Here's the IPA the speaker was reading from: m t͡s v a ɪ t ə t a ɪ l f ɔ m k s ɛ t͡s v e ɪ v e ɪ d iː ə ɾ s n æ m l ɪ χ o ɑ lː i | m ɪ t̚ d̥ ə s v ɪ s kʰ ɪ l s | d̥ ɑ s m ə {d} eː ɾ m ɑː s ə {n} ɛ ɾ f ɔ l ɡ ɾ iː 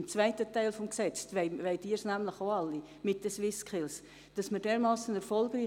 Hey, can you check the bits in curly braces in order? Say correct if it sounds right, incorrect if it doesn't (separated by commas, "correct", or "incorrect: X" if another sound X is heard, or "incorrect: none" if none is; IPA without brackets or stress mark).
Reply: correct, correct